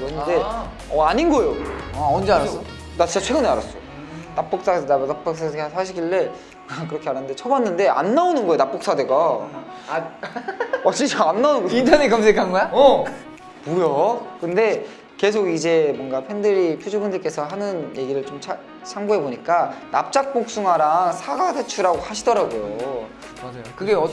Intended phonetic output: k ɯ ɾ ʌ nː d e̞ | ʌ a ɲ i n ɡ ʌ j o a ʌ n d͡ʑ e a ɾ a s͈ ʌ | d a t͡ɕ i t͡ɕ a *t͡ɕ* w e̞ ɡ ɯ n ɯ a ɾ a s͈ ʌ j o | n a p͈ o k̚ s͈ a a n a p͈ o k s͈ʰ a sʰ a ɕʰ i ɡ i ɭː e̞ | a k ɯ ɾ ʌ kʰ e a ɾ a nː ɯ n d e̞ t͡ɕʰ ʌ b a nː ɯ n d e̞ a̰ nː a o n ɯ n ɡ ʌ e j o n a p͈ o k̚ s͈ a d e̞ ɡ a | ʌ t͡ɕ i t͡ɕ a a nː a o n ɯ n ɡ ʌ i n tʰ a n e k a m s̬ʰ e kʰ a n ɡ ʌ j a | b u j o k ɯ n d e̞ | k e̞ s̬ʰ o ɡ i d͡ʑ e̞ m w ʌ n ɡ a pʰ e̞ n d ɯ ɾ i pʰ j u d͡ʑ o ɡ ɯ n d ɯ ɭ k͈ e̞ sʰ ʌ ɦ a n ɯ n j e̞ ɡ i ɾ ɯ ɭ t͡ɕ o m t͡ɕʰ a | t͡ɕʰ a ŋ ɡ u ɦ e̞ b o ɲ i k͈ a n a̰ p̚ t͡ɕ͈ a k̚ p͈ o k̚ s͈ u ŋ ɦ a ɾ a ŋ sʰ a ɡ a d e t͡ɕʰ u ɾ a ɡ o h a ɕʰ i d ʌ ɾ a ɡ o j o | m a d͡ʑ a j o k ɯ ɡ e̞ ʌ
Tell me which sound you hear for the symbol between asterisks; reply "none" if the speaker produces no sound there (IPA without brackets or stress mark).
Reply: t͡ɕʰ